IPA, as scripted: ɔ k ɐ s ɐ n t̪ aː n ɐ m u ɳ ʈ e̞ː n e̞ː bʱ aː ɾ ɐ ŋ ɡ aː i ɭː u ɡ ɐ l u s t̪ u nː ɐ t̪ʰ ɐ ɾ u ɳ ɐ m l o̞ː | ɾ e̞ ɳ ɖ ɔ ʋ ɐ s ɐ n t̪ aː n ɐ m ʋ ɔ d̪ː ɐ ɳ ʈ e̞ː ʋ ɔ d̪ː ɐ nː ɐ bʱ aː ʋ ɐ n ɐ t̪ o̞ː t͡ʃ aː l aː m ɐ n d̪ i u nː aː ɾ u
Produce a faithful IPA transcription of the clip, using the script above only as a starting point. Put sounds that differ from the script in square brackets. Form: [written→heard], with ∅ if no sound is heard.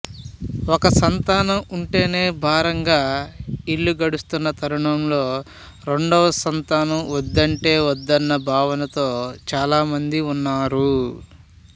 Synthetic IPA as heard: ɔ k ɐ s ɐ n t̪ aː n ɐ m u ɳ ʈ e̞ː n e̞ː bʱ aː ɾ ɐ ŋ ɡ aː i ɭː u ɡ ɐ [l→ɽ] u s t̪ u nː ɐ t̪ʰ ɐ ɾ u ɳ ɐ m l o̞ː | ɾ e̞ ɳ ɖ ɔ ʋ ɐ s ɐ n t̪ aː n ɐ m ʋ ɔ d̪ː ɐ ɳ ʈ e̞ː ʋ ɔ d̪ː ɐ nː ɐ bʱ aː ʋ ɐ n ɐ t̪ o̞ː t͡ʃ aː l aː m ɐ n d̪ i u nː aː ɾ u